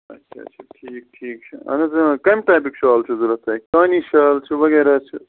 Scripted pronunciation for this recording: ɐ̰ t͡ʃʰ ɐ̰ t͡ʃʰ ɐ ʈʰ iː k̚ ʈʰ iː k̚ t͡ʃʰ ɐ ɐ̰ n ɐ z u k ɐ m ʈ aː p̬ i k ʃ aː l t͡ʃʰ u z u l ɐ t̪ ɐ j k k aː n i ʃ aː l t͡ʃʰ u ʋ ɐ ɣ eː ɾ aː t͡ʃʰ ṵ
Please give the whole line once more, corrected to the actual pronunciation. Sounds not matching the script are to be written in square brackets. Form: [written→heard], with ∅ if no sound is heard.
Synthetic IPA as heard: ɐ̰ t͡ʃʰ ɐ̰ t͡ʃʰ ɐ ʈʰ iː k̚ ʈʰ iː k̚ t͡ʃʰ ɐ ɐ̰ n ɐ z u k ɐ m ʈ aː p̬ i k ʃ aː l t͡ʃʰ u z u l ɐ t̪ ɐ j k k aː n i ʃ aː l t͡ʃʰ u ʋ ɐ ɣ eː ɾ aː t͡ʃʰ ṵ